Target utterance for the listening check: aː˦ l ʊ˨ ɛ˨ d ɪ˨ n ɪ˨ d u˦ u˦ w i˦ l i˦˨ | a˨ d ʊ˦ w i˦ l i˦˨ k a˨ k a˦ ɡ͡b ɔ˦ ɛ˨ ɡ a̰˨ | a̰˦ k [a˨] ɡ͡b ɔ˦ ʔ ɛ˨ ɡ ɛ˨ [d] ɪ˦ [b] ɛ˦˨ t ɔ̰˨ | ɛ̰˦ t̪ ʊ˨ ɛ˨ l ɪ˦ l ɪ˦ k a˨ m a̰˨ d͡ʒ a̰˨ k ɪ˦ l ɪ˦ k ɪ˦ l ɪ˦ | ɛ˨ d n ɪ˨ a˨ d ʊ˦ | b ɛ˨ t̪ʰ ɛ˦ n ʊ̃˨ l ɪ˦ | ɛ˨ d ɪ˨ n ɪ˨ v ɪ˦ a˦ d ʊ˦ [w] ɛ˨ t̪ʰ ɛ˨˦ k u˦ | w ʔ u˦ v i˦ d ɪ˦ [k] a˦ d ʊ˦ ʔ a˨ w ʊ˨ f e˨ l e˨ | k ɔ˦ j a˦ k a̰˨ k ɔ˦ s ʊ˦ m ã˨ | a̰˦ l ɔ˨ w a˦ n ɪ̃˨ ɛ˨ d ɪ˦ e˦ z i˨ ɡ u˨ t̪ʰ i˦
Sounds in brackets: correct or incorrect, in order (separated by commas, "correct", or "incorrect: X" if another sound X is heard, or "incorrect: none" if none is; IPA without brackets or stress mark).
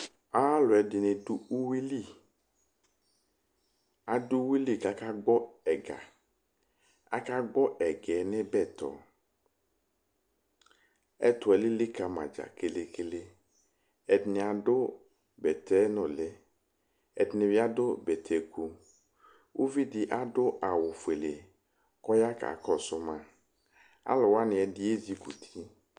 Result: incorrect: a˦, incorrect: n, correct, incorrect: b, incorrect: ʔ